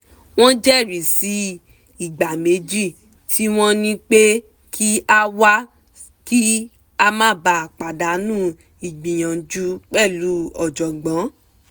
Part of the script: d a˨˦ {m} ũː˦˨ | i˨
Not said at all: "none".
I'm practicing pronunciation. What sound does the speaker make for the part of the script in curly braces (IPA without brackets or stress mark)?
n